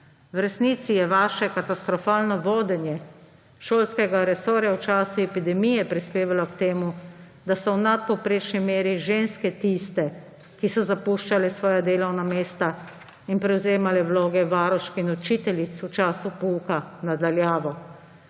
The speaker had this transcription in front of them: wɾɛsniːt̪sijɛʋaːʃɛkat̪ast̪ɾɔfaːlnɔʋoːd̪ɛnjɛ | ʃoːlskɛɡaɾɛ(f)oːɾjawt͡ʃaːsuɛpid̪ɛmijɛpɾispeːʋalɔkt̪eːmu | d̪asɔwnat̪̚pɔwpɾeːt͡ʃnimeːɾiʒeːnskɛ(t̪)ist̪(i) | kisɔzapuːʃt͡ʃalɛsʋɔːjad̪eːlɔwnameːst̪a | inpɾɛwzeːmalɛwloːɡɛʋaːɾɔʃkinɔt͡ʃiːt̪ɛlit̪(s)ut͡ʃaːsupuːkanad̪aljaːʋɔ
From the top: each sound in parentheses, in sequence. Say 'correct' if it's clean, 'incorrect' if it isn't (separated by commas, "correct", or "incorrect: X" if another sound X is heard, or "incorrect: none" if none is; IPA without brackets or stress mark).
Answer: incorrect: s, correct, incorrect: ɛ, correct